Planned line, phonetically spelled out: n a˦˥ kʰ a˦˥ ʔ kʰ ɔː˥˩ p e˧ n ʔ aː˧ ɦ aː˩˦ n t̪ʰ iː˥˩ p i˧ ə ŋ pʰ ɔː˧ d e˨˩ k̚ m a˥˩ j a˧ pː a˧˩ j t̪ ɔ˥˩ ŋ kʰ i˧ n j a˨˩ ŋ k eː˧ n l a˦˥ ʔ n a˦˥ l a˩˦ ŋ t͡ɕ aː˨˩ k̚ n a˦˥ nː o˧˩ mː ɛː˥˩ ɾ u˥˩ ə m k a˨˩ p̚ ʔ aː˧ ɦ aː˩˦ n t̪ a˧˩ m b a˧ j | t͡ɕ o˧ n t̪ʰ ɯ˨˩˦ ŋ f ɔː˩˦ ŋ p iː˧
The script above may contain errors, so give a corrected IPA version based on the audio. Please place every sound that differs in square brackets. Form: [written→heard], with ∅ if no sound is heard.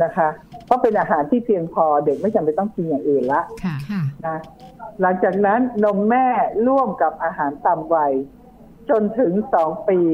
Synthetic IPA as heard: n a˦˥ kʰ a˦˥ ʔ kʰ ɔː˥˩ p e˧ n ʔ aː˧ ɦ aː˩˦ n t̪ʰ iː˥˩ p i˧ ə ŋ pʰ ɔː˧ d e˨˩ k̚ m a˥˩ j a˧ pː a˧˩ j t̪ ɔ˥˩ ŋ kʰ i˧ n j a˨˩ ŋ [k→ʔ] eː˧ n l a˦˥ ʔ n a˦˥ l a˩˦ ŋ t͡ɕ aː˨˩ k̚ n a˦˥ nː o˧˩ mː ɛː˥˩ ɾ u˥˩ ə m k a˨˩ p̚ ʔ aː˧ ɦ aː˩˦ n t̪ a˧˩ m [b→w] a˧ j | t͡ɕ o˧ n t̪ʰ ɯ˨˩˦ ŋ [f→s] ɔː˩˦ ŋ p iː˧